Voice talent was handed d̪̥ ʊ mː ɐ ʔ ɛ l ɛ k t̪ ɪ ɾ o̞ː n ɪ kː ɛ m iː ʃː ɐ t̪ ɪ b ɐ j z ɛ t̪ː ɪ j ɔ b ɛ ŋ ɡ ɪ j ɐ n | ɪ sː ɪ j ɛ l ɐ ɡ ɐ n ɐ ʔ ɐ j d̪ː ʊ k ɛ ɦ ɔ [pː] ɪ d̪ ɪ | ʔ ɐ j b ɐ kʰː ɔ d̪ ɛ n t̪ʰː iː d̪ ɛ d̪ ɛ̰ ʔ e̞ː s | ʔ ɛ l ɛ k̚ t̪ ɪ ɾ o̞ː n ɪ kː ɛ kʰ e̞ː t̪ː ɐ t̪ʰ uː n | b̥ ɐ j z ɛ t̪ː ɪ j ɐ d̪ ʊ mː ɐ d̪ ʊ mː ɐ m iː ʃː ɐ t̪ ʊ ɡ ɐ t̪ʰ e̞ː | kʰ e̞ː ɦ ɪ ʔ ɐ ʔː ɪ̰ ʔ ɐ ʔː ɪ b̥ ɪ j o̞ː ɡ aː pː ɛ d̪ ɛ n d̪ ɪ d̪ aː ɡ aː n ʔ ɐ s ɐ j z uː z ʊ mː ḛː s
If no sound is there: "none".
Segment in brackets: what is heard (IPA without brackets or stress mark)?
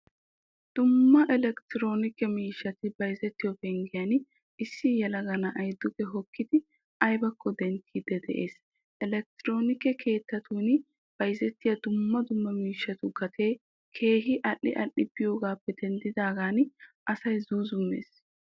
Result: kː